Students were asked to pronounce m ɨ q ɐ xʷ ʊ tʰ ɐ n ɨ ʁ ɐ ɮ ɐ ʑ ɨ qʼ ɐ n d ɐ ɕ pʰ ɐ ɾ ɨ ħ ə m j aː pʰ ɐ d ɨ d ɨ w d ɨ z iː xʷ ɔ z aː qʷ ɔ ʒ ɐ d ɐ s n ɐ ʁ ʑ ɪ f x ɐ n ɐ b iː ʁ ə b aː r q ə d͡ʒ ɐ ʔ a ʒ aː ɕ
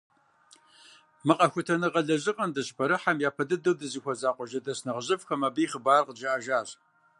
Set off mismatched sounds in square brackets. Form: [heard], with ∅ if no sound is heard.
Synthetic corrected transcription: m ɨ q ɐ xʷ ʊ tʰ ɐ n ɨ ʁ ɐ ɮ ɐ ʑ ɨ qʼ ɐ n d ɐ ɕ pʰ ɐ ɾ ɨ ħ [a] m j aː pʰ ɐ d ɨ d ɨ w d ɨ z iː xʷ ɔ z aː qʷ ɔ ʒ ɐ d ɐ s n ɐ ʁ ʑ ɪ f x ɐ [m] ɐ b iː [χ] ə b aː r q ə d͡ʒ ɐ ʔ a ʒ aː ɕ